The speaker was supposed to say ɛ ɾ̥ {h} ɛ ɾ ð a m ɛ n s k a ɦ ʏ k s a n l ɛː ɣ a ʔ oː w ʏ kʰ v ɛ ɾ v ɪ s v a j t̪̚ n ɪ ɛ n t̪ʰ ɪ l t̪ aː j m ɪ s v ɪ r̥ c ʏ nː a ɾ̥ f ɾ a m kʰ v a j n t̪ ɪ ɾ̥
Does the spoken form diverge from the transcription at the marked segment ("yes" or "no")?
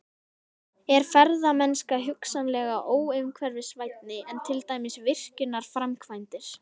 yes